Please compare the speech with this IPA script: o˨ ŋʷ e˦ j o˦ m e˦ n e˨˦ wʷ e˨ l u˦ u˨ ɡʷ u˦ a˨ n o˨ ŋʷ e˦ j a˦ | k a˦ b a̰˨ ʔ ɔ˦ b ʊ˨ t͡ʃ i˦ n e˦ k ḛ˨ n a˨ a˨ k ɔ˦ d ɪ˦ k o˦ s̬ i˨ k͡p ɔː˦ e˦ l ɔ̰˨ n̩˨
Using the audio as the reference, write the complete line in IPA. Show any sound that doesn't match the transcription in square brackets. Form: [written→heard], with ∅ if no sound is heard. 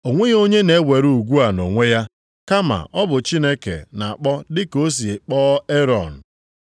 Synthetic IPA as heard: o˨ ŋʷ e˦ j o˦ [m→ɲ] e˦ n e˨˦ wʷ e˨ [l→ɾ] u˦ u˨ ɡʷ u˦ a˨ n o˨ ŋʷ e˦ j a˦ | k a˦ [b→m] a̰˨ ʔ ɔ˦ b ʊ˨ t͡ʃ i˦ n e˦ k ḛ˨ n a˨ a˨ [k→k͡p] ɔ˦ d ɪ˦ k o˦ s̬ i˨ k͡p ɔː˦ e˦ [l→ɾ] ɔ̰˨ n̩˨